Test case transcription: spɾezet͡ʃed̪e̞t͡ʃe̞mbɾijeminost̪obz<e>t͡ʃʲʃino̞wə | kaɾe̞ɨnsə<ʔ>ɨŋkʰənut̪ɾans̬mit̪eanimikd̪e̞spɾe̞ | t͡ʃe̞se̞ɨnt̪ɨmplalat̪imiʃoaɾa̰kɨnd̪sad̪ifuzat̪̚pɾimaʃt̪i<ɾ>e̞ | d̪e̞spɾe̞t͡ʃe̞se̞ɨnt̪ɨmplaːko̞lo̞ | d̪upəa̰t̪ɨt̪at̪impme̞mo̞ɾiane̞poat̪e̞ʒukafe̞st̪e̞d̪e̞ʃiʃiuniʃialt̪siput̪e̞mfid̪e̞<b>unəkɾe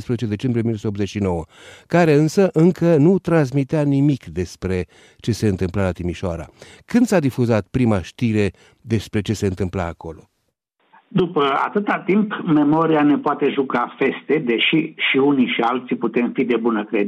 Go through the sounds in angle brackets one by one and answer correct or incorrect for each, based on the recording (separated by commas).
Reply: correct, correct, correct, correct